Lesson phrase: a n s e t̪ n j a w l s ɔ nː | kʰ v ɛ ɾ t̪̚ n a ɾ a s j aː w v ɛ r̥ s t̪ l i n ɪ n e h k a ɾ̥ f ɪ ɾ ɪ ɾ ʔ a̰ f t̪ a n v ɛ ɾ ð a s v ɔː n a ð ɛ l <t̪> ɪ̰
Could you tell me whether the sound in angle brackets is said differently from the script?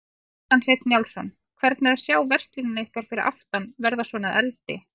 no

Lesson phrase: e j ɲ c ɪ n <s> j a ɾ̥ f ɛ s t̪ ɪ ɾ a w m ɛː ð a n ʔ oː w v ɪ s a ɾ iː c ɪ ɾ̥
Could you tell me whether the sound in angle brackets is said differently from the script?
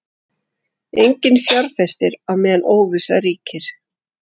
yes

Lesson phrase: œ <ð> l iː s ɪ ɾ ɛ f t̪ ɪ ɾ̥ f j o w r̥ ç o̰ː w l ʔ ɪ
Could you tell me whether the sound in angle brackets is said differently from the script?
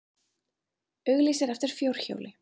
yes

